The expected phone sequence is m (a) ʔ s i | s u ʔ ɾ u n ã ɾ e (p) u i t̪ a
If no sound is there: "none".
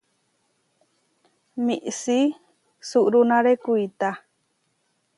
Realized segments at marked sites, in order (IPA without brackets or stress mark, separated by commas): i, k